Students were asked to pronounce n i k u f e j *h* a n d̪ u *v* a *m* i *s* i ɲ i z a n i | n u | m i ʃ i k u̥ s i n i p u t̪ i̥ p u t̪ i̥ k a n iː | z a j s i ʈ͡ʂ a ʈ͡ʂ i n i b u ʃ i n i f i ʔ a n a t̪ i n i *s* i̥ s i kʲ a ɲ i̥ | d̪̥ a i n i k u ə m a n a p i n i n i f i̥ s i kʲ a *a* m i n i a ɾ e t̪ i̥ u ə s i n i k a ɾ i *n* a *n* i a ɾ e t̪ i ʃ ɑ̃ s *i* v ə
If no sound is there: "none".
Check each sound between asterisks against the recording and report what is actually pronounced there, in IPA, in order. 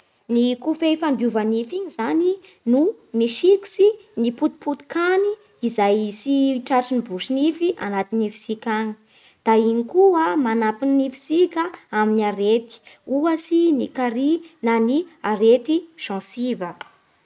f, v, n, f, f, a, n, n, i

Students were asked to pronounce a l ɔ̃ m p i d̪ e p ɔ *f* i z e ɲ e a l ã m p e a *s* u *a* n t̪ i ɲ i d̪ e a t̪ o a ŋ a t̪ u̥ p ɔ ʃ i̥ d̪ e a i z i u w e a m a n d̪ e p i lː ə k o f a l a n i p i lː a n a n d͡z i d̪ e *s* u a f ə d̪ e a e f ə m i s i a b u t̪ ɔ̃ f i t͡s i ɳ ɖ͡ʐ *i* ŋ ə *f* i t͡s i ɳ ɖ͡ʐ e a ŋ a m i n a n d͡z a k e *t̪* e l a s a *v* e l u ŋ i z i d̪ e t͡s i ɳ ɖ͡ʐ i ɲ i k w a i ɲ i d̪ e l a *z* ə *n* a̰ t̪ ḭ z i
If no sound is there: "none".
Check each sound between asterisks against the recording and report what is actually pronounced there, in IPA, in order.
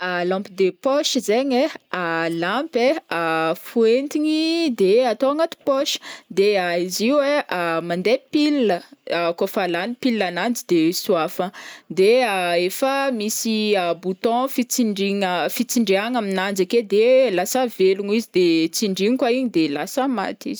ʃ, f, e, s, i, f, d̪, v, s, m

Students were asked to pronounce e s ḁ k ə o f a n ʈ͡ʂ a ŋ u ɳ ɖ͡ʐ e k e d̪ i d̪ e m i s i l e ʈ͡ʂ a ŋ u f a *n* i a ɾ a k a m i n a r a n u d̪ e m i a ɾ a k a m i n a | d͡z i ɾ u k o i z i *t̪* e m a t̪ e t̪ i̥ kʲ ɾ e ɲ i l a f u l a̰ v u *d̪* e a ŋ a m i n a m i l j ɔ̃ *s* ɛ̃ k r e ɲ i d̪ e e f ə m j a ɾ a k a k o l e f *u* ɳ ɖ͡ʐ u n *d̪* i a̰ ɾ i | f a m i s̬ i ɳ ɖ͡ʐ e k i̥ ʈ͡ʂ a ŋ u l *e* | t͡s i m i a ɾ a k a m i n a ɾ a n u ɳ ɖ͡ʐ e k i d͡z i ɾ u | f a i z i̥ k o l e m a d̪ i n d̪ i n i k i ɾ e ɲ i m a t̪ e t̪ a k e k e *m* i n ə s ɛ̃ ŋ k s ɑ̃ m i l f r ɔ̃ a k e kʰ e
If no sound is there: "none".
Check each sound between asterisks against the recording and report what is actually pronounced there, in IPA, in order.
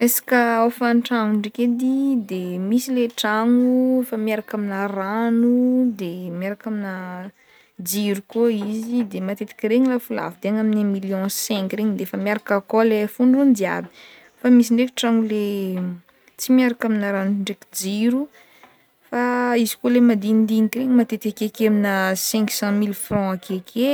m, d̪, d̪, s, u, d̪, e, m

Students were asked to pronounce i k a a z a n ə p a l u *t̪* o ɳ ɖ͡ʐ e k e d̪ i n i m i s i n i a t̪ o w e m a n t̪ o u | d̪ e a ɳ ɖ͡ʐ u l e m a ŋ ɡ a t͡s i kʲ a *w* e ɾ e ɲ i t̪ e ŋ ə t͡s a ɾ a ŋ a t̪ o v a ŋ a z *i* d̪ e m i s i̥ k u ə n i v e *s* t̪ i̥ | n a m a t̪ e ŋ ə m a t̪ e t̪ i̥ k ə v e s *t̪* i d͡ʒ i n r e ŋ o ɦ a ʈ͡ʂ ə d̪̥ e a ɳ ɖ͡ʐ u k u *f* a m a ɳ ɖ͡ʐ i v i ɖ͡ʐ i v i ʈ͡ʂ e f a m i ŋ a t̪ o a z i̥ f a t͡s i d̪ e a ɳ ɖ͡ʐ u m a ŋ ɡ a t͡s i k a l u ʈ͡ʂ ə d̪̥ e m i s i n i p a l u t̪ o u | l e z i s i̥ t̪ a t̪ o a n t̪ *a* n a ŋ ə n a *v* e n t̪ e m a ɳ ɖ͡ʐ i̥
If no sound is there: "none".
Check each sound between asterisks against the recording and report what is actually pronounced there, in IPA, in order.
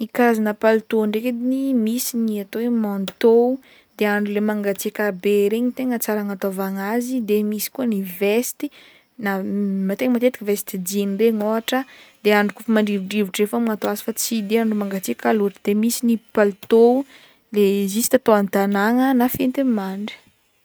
t̪, b, i, s, t̪, f, a, f

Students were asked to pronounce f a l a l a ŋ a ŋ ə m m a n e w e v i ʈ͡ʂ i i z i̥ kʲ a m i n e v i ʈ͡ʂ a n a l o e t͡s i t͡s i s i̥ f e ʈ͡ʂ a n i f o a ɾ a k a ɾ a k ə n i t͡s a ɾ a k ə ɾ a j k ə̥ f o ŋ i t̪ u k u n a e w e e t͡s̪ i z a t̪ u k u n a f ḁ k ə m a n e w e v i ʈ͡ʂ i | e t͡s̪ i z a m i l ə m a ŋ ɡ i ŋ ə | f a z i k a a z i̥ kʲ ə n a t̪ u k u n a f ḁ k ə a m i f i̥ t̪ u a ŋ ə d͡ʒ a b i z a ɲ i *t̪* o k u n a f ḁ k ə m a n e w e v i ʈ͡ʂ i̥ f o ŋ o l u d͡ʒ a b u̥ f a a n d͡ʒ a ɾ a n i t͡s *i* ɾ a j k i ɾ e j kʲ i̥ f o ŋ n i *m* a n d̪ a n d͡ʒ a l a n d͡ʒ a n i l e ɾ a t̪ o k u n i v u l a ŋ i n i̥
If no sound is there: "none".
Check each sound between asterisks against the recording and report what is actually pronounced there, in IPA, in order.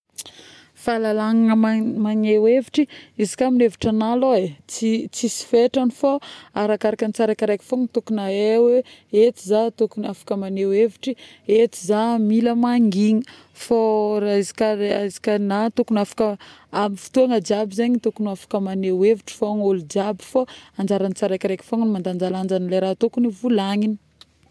t̪, a, m

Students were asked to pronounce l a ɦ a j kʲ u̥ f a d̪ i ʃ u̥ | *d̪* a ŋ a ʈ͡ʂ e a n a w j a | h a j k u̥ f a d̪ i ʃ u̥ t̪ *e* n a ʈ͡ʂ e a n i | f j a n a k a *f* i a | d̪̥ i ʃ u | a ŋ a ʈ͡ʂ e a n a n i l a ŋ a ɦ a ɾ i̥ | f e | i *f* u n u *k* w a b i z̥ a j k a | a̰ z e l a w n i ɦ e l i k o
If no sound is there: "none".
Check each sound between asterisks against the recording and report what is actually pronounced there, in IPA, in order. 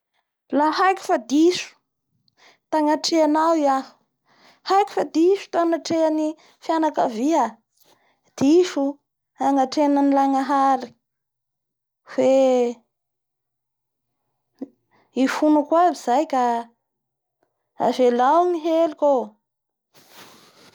t̪, a, v, f, k

